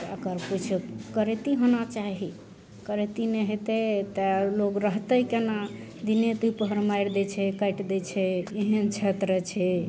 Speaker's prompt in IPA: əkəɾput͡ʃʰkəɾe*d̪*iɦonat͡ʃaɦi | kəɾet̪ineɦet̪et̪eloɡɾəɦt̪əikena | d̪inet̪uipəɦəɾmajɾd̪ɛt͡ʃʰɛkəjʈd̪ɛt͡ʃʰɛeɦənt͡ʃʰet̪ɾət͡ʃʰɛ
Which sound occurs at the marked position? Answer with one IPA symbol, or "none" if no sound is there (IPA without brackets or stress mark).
t̪